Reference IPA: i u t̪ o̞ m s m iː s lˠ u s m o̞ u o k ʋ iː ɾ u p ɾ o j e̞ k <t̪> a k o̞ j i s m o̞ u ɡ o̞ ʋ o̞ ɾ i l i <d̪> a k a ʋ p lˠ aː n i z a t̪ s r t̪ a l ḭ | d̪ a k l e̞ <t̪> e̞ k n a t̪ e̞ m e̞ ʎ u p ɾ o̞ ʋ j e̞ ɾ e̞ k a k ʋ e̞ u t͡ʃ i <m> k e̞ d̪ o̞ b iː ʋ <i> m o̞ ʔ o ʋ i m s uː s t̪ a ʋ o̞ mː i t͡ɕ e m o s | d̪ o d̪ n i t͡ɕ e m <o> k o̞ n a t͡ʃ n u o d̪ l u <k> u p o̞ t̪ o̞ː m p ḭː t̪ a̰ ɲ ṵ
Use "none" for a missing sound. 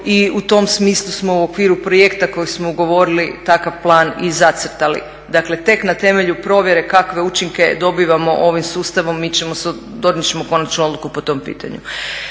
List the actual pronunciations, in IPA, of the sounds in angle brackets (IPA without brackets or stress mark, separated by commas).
t̪, t̪, t̪, ŋ, a, o, k